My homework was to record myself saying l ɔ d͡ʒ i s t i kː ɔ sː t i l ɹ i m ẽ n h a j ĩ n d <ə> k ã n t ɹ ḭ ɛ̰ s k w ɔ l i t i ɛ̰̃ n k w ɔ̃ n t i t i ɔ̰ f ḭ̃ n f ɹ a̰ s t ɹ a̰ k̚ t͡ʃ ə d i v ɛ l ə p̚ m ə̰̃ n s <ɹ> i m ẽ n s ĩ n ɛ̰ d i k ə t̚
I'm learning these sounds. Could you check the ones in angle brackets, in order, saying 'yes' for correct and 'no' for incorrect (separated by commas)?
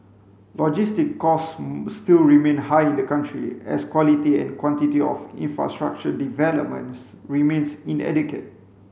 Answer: yes, yes